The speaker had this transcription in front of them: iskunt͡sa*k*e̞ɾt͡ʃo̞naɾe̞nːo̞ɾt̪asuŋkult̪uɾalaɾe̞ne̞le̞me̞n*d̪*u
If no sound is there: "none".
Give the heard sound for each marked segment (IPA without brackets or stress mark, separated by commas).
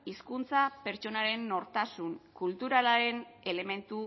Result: p, t̪